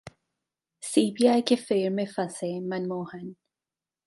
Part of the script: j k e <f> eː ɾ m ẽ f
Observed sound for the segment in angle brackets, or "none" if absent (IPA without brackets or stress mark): f